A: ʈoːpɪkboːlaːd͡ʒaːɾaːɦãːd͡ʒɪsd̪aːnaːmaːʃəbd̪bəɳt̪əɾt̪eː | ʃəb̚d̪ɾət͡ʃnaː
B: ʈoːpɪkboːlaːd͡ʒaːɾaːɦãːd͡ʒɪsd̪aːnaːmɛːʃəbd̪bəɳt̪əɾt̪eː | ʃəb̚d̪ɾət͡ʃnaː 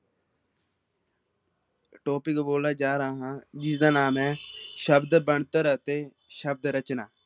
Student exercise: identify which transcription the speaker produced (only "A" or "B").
B